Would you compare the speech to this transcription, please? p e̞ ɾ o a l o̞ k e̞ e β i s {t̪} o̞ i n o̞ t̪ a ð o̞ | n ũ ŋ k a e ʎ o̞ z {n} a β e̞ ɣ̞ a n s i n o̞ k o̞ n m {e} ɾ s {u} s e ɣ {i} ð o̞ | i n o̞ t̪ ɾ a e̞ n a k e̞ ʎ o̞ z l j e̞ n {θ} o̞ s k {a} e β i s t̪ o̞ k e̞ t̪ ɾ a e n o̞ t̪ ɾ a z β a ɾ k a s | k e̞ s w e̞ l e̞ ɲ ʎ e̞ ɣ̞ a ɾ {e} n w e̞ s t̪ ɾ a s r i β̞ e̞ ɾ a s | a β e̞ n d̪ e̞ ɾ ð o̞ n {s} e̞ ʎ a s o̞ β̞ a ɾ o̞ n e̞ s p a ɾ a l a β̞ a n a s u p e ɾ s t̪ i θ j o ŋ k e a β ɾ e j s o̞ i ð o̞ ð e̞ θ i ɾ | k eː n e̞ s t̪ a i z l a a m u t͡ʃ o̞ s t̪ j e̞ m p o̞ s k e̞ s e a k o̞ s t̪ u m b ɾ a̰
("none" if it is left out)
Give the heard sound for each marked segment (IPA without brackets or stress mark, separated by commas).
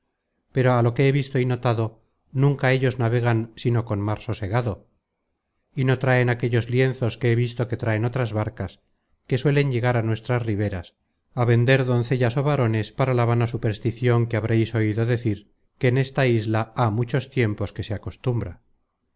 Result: t̪, n, a, o, a, θ, e, a, θ